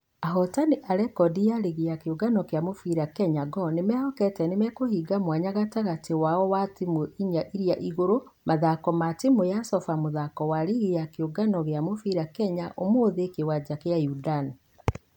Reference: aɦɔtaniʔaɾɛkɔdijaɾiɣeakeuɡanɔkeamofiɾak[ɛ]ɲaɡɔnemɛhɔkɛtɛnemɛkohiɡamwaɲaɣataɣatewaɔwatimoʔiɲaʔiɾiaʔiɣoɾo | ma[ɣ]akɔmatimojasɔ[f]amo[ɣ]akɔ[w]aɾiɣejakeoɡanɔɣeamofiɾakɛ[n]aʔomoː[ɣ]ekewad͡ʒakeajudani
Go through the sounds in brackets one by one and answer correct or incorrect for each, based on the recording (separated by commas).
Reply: correct, incorrect, correct, incorrect, correct, incorrect, incorrect